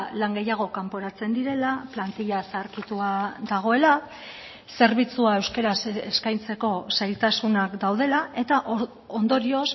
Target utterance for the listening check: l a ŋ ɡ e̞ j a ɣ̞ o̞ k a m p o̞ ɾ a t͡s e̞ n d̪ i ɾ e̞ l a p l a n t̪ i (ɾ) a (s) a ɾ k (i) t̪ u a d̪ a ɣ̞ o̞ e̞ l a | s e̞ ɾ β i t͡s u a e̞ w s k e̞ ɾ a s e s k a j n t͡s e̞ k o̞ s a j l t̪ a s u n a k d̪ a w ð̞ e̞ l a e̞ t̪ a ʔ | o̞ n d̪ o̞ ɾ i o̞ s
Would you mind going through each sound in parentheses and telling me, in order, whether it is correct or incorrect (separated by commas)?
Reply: incorrect, correct, correct